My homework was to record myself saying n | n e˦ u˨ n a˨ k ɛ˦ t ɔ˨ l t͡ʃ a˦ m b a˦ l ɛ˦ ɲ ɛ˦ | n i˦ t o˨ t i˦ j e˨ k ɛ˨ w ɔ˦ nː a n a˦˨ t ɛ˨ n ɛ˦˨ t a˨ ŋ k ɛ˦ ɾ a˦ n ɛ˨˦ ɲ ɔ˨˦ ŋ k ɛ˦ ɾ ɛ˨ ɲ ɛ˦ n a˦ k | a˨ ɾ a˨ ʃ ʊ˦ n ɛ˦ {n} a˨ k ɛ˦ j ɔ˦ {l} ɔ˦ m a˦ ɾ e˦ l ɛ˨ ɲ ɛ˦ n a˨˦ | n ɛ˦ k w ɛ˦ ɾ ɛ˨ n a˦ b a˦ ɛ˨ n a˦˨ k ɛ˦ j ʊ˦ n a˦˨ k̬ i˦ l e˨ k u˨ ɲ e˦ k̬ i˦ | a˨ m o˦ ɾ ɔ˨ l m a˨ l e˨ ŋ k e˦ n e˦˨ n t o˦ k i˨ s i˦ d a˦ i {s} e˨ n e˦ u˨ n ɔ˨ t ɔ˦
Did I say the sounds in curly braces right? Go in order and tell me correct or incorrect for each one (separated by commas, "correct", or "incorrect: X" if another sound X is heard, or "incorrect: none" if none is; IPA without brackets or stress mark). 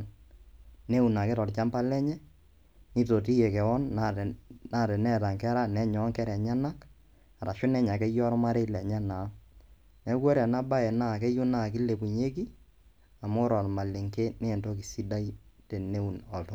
incorrect: ɲ, incorrect: ɾ, incorrect: t